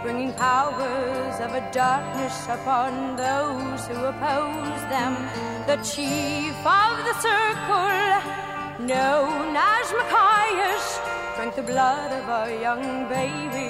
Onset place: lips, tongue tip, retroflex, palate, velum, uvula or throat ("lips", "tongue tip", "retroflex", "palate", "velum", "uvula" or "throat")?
lips